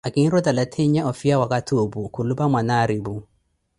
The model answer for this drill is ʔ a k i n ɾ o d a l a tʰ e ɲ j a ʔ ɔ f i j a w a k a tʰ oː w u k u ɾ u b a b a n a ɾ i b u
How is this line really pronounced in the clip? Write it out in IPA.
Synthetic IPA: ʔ a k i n ɾ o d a l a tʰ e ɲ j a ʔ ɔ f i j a w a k a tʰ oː b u k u l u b a m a n a ɾ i b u